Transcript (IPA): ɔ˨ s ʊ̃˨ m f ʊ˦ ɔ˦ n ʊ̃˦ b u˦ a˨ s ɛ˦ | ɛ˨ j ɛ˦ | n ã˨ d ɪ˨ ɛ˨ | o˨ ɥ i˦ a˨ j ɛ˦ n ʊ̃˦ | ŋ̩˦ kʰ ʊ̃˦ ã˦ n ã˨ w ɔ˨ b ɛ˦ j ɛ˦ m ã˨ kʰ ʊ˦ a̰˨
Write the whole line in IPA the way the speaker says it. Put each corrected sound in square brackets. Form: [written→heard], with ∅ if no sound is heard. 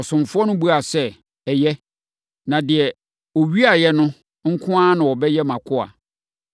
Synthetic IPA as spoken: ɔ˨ s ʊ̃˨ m f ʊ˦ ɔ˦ n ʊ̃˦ b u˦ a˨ s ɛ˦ | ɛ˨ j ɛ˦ | n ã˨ d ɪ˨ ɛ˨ | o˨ ɥ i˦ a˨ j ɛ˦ n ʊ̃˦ | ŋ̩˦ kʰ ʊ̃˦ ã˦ n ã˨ w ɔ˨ b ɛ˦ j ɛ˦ m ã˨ kʰ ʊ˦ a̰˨

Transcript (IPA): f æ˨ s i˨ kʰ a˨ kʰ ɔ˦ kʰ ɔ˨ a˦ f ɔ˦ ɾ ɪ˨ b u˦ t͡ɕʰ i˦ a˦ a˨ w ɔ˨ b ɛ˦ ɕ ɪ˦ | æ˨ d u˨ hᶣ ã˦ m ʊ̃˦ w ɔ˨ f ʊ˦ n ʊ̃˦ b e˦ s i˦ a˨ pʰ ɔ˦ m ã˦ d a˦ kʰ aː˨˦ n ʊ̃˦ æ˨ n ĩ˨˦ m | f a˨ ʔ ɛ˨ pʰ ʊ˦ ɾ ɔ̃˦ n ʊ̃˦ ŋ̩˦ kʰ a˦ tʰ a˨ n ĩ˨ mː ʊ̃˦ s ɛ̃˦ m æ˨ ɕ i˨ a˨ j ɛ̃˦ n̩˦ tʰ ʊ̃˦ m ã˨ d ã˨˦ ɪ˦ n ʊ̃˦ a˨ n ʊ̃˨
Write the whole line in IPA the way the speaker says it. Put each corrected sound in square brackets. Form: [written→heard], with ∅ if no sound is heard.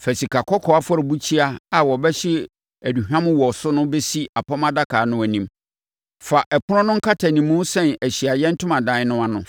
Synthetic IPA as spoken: f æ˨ s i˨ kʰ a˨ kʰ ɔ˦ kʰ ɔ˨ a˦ f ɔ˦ ɾ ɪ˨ b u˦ t͡ɕʰ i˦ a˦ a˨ w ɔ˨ b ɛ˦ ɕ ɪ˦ | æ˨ d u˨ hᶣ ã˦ m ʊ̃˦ w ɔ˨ [f→s] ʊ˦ n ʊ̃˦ b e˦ s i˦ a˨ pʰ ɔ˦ m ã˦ d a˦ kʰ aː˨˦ n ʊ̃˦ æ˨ n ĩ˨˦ m | f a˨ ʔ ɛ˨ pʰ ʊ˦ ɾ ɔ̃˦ n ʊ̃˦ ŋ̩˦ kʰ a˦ tʰ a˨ n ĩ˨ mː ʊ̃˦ s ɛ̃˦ [m→n] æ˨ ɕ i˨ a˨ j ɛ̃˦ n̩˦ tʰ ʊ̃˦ m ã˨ d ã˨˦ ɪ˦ n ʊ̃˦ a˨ n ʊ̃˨

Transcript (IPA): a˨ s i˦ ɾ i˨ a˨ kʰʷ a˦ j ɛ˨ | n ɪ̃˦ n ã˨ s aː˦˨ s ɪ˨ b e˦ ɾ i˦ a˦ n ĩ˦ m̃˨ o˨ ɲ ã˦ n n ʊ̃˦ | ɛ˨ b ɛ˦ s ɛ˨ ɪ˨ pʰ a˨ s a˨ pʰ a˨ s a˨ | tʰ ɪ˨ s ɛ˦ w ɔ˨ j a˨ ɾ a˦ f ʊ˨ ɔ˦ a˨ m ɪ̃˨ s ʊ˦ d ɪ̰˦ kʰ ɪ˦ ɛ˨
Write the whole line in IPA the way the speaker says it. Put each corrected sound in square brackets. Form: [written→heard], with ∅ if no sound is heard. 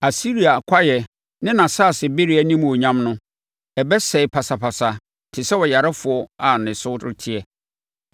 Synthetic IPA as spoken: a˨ s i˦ ɾ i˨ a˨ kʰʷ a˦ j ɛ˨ | n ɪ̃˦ n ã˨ s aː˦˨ s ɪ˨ b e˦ ɾ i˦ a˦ n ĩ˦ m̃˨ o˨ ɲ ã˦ [n→m] n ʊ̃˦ | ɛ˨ b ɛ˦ s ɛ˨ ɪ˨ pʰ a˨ s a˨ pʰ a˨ s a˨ | tʰ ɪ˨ s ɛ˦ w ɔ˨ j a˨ ɾ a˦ f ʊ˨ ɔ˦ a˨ [m→n] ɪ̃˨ s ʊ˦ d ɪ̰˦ [kʰ→tʰ] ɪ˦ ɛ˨

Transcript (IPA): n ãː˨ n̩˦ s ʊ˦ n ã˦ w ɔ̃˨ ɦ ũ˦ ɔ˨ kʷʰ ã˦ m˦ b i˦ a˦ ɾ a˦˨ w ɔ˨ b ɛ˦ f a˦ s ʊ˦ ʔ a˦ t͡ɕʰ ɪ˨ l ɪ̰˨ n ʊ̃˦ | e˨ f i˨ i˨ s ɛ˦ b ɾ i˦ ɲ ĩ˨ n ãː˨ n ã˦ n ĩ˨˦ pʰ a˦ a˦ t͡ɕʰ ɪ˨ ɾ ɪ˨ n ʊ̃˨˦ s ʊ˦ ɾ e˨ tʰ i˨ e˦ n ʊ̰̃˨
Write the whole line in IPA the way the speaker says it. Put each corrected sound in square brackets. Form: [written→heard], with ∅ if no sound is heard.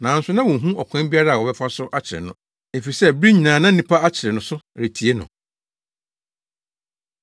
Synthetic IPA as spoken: n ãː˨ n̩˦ s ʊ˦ n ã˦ w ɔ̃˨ ɦ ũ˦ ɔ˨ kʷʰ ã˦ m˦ b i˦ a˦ ɾ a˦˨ w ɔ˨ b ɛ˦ f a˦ s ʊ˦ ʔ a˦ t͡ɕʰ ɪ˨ [l→ɾ] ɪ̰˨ n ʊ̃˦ | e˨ f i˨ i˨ s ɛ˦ b ɾ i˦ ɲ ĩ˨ n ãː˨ n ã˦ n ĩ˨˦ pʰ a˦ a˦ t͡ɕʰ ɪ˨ ɾ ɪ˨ n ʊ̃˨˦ s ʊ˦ ɾ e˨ tʰ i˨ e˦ n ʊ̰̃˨

